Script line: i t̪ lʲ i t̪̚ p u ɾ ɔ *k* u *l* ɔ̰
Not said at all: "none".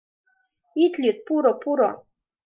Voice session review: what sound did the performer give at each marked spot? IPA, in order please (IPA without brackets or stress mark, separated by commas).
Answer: p, ɾ